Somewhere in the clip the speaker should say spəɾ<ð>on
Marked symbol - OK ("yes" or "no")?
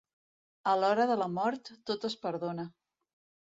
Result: yes